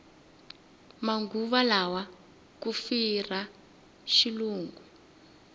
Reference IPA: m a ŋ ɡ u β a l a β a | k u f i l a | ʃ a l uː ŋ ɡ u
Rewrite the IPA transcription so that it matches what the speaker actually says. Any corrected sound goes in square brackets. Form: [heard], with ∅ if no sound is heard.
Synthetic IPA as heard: m a ŋ ɡ u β a l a [w] a | k u f i [r] a | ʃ [i] l uː ŋ ɡ u